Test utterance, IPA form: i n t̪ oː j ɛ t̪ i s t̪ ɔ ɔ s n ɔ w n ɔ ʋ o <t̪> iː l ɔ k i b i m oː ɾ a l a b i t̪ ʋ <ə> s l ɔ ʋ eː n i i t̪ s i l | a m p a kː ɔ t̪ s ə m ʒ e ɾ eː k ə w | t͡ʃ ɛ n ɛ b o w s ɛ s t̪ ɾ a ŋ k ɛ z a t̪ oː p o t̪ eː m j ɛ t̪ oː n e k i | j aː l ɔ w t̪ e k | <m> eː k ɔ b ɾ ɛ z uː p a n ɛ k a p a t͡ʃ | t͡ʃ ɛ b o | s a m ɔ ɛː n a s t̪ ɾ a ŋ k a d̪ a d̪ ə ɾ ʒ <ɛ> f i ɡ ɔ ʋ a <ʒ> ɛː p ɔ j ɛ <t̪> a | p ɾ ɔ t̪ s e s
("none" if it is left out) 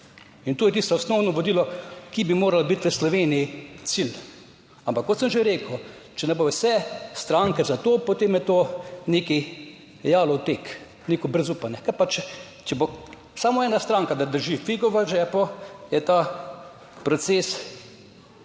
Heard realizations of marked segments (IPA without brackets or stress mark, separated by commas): d̪, ə, n, i, ʒ, t̪